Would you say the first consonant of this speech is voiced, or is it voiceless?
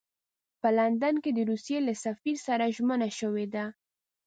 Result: voiceless